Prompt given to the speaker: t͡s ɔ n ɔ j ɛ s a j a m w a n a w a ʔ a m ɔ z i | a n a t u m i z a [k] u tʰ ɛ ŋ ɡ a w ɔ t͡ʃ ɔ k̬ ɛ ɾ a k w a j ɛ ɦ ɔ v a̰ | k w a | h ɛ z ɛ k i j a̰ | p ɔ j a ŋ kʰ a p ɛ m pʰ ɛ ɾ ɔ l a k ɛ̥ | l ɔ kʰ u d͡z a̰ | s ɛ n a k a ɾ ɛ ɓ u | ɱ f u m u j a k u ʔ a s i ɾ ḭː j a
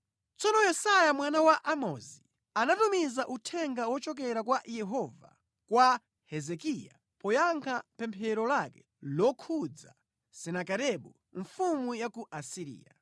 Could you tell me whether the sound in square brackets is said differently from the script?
yes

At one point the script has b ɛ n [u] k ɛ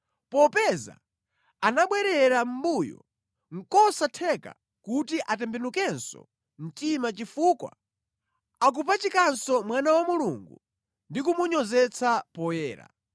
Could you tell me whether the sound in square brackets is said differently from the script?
no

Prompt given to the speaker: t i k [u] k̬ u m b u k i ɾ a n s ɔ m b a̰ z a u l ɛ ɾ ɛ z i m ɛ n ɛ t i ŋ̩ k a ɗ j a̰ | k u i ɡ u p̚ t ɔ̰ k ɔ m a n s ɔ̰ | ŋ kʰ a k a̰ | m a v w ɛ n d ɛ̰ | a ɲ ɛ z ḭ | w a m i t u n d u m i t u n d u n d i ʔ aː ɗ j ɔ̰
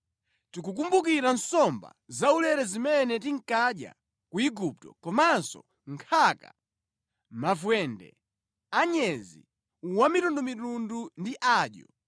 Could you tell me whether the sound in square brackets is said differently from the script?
no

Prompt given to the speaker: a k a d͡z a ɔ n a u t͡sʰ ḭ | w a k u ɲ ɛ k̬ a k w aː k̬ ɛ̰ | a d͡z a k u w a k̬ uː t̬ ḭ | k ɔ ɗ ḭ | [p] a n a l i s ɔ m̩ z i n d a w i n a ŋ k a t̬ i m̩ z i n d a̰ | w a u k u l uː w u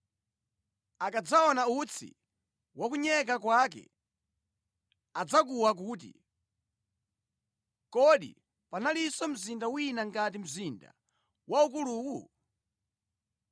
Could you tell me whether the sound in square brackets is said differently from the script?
no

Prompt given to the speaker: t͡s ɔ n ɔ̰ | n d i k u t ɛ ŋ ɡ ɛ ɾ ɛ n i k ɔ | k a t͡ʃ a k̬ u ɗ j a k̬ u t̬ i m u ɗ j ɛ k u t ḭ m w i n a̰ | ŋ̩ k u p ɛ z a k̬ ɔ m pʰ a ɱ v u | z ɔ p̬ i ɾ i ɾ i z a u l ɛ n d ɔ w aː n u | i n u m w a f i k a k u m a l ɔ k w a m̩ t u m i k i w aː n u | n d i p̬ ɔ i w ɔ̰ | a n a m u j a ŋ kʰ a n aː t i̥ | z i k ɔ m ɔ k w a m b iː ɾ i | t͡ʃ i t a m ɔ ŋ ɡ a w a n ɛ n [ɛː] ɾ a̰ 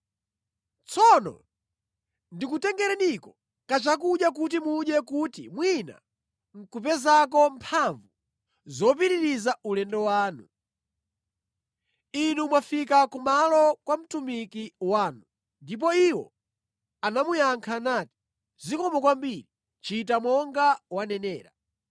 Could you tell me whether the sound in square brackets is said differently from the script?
no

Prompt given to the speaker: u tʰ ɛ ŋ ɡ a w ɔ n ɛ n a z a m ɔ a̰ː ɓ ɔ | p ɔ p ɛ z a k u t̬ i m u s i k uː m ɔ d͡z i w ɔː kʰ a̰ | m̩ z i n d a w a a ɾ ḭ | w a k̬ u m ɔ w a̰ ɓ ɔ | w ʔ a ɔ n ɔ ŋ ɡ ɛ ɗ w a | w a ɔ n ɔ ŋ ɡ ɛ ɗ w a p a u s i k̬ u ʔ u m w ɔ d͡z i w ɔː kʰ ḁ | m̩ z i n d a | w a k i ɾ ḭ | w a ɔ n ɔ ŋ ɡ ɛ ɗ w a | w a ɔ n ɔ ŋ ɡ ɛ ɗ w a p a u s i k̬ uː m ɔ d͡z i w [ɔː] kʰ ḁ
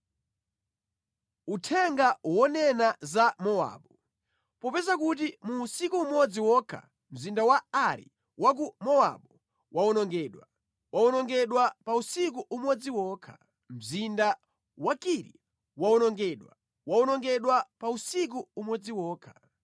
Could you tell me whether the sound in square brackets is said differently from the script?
no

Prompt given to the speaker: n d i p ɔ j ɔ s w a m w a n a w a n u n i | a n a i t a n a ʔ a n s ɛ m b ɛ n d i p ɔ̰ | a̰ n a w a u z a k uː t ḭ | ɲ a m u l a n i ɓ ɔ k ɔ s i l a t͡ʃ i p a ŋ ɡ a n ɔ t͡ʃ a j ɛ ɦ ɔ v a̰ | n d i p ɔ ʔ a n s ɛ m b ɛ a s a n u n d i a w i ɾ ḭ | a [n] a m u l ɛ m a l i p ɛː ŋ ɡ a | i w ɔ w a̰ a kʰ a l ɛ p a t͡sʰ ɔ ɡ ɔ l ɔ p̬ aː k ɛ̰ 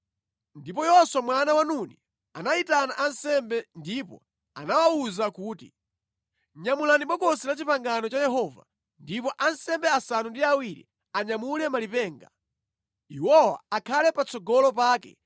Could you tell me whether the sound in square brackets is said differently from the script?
yes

